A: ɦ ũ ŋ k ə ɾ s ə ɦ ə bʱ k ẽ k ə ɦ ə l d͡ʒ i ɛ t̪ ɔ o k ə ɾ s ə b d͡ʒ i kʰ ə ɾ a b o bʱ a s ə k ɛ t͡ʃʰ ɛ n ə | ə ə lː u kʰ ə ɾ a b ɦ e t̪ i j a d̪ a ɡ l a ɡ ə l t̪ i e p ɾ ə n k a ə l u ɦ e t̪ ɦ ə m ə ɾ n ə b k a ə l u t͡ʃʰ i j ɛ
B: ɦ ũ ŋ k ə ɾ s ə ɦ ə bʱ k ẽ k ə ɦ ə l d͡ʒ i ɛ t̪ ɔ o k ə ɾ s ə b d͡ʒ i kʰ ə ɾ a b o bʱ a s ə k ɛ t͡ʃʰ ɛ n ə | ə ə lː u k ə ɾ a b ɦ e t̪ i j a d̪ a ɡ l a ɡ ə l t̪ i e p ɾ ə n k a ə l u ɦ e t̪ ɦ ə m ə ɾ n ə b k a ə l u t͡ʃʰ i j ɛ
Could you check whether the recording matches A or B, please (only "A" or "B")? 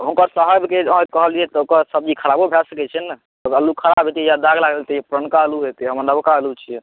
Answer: A